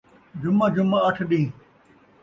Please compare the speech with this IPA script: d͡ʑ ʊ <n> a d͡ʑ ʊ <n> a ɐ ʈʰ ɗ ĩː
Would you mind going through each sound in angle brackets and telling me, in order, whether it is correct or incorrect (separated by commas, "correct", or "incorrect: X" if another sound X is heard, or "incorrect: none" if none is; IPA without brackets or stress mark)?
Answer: incorrect: m, incorrect: m